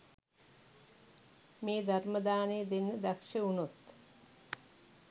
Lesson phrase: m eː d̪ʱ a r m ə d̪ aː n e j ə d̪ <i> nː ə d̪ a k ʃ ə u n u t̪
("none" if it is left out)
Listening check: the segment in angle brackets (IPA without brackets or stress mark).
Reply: e